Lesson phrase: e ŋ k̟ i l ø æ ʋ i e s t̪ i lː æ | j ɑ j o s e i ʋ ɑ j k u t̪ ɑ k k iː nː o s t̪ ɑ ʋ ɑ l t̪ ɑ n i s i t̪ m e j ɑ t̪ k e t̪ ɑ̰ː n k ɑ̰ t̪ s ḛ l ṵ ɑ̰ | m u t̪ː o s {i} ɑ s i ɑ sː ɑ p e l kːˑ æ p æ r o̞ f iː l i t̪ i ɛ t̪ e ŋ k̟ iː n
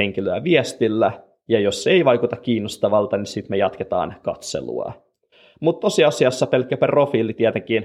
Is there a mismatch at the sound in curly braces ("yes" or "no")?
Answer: no